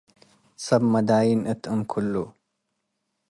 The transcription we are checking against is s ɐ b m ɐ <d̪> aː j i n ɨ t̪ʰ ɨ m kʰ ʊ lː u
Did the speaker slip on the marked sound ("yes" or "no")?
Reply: no